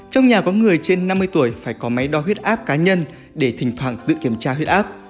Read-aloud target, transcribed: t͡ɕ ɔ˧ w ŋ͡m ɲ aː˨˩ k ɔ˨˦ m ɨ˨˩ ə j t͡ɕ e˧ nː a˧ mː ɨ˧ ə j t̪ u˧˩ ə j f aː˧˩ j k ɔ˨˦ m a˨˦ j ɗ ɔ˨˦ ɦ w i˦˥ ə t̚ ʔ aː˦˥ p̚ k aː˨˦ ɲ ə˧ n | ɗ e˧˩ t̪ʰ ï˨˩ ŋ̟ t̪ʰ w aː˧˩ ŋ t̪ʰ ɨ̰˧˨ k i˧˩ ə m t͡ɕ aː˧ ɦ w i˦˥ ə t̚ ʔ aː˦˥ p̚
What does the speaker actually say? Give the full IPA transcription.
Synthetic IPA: t͡ɕ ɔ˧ w ŋ͡m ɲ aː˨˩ k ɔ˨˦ ŋ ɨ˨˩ ə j t͡ɕ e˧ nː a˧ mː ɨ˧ ə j t̪ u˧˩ ə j f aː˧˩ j k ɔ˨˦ m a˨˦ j ɗ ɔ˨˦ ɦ w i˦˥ ə t̚ ʔ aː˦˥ p̚ k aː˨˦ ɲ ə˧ n | ɗ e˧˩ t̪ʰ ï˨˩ ŋ̟ t̪ʰ w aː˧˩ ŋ t̪ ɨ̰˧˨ k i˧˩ ə m t͡ɕ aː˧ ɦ w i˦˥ ə t̚ ʔ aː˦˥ p̚